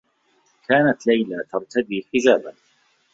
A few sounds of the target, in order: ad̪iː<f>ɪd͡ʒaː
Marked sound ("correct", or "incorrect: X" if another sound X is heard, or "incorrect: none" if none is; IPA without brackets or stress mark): incorrect: ħ